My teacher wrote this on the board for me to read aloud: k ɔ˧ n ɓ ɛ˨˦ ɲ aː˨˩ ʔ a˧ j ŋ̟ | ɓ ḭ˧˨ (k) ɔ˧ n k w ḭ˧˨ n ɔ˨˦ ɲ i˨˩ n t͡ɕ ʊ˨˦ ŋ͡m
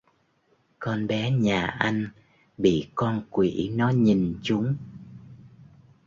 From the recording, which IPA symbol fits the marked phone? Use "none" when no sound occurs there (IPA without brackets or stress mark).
k